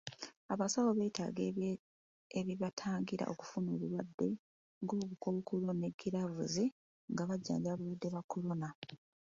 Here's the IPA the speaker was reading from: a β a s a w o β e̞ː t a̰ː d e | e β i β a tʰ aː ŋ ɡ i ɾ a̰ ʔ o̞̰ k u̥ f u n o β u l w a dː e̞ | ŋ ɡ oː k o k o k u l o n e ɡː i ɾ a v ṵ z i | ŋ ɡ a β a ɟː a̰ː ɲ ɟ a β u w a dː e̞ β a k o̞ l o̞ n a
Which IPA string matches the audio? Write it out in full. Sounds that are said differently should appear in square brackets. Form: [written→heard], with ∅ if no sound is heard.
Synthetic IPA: a β a s a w o β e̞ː t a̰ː [d→ɡ] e | e β i β a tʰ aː ŋ ɡ i ɾ a̰ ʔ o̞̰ k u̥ f u n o β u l w a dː e̞ | ŋ ɡ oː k [o→u] k o k u l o n e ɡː i ɾ a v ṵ z i | ŋ ɡ a β a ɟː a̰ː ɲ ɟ a β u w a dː e̞ β a k o̞ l o̞ n a